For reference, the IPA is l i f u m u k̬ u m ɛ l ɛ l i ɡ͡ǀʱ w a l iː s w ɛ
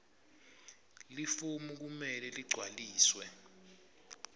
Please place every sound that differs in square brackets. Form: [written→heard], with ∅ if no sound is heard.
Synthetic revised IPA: l i f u m u k̬ u m ɛ l ɛ l i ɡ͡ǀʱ w a l iː s w ɛ